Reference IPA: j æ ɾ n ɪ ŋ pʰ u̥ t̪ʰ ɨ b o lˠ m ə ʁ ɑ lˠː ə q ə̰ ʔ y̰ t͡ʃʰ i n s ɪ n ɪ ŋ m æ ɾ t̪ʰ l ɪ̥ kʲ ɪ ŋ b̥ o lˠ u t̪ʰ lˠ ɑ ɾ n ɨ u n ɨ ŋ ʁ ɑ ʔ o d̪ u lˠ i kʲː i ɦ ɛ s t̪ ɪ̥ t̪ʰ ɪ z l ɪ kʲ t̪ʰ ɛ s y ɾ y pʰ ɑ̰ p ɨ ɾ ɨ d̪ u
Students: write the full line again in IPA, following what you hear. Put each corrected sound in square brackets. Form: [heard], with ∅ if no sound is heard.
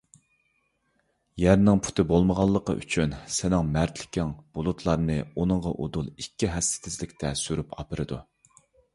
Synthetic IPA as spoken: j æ ɾ n ɪ ŋ pʰ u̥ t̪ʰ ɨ b o lˠ m ə ʁ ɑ lˠː ə q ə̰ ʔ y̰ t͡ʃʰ [y] n s ɪ n ɪ ŋ m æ ɾ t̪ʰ l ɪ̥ kʲ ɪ ŋ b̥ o lˠ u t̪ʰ lˠ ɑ ɾ n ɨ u n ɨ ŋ ʁ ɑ ʔ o d̪ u lˠ i kʲː i ɦ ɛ s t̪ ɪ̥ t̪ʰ ɪ z l ɪ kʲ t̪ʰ ɛ s y ɾ y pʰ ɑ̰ p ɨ ɾ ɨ d̪ u